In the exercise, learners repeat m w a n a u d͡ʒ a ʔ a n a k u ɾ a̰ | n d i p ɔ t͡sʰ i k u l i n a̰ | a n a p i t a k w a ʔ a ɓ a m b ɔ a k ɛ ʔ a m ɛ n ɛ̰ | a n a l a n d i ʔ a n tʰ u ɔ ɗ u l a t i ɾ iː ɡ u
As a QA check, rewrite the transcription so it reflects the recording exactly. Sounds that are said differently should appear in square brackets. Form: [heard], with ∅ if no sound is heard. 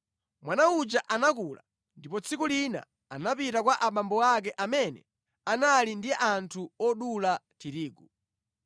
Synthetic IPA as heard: m w a n a u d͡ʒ a ʔ a n a k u [l] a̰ | n d i p ɔ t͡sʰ i k u l i n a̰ | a n a p i t a k w a ʔ a ɓ a m b ɔ a k ɛ ʔ a m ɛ n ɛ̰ | a n a l [i] n d i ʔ a n tʰ u ɔ ɗ u l a t i ɾ iː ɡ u